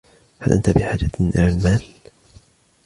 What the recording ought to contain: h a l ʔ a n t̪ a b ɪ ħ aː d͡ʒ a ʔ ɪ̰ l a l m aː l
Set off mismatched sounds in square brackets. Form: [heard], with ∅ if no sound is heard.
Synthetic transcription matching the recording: h a l ʔ a n t̪ a b ɪ ħ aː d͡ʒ a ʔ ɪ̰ l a l m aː l